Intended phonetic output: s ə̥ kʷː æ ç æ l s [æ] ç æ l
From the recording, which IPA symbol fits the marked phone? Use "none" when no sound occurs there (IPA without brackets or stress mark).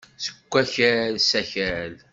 æ